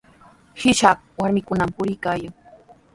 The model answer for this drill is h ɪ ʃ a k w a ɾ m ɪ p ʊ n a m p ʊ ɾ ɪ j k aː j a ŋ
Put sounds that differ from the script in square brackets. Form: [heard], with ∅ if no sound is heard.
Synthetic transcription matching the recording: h ɪ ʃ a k w a ɾ m ɪ [k] ʊ n a m p ʊ ɾ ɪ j k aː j a ŋ